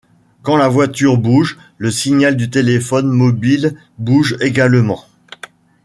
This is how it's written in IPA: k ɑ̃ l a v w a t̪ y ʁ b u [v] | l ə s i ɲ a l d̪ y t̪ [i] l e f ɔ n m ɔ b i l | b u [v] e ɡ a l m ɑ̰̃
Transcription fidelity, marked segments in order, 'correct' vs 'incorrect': incorrect: ʒ, incorrect: e, incorrect: ʒ

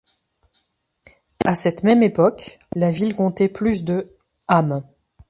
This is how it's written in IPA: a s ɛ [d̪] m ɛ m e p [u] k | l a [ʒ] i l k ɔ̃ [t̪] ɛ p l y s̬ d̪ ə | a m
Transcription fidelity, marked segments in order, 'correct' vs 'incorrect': incorrect: t̪, incorrect: ɔ, incorrect: v, correct

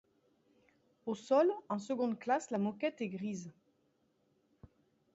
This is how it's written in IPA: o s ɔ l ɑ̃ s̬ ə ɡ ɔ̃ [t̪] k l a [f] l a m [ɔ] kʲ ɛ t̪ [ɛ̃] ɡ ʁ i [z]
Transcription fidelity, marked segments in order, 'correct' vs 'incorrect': incorrect: d̪, incorrect: s, correct, incorrect: ɛ, correct

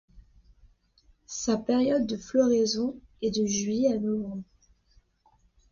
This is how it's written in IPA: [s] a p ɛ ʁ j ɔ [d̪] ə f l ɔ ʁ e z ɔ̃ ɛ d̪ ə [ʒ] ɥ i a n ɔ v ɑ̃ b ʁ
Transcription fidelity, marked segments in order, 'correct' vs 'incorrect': correct, incorrect: d̪ː, correct

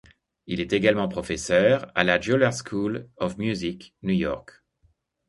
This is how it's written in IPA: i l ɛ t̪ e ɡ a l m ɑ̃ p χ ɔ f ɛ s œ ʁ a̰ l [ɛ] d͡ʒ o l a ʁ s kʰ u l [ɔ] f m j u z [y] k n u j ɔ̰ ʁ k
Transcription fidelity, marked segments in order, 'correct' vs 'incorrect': incorrect: a, correct, incorrect: i

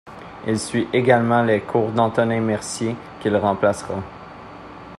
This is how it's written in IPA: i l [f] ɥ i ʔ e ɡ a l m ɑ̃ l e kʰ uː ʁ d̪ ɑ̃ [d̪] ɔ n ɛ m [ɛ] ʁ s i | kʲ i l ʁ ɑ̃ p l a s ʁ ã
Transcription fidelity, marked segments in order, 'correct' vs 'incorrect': incorrect: s, incorrect: t̪, correct

